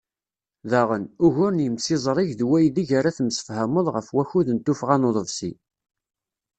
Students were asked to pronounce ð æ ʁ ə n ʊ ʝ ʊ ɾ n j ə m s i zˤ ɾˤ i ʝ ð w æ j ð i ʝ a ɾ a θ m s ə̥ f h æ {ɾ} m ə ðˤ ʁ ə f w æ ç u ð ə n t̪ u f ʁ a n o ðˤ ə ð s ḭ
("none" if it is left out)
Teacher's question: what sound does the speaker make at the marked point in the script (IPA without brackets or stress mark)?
none